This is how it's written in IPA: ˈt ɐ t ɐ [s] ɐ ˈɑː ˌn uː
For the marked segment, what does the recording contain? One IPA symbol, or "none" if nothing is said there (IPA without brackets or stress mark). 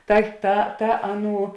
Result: t